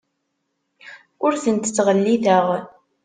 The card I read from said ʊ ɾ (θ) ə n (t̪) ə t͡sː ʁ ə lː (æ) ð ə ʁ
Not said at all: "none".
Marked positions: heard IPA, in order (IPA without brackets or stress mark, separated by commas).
θ, t̪, i